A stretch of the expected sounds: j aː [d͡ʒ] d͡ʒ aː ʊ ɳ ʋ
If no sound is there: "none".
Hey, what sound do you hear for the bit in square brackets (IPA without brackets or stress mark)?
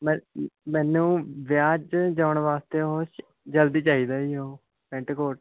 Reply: d͡ʒ